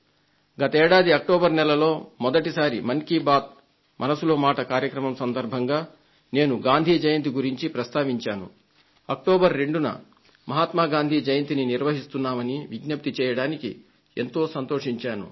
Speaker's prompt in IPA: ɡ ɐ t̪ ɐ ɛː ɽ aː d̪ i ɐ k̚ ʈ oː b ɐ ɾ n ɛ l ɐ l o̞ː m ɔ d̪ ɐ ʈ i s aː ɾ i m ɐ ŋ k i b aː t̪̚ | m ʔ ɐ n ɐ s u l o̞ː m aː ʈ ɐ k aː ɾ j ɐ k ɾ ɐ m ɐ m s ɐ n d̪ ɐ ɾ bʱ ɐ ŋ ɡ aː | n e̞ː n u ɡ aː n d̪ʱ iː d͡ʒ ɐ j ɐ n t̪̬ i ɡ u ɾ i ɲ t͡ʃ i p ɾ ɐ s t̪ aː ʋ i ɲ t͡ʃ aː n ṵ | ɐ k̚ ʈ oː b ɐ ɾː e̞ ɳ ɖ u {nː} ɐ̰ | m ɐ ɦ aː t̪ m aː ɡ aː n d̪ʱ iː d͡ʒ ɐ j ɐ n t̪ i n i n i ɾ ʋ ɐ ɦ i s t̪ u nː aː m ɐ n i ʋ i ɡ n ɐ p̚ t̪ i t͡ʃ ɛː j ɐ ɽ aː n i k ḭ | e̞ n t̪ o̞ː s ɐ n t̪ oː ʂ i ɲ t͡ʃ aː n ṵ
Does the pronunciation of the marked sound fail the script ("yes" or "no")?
yes